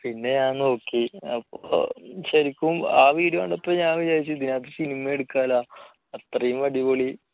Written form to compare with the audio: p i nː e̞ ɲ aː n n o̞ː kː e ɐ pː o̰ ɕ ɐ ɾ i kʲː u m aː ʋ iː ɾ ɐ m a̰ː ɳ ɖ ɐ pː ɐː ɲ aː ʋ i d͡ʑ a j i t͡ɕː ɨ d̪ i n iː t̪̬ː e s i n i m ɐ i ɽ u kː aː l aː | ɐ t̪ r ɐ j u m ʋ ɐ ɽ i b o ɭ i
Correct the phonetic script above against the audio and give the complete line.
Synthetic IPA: p i nː e̞ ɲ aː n n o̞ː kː i ɐ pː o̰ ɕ ɐ ɾ i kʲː u m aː ʋ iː ɾ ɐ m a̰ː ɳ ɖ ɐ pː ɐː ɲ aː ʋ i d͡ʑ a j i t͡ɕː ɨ d̪ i n aː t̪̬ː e s i n i m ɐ e ɽ u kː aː l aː | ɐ t̪ r ɐ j u m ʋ ɐ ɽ i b o ɭ i